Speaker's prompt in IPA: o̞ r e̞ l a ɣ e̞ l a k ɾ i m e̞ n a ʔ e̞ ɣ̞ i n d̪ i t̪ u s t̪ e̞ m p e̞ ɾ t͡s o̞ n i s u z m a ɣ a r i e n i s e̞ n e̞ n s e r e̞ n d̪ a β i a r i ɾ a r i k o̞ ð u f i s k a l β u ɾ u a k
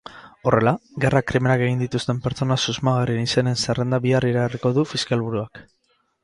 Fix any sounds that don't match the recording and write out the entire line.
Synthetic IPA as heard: o̞ r e̞ l a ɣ e̞ r a k ɾ i m e̞ n a k e̞ ɣ̞ i n d̪ i t̪ u s t̪ e̞ m p e̞ ɾ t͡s o̞ n a s u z m a ɣ a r i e n i s e̞ n e̞ n s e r e̞ n d̪ a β i a r i ɾ a r i k o̞ ð u f i s k a l β u ɾ u a k